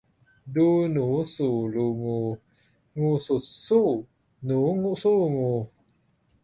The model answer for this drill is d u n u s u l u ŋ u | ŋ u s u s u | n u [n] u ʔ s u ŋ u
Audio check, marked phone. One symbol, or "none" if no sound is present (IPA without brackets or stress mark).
ŋ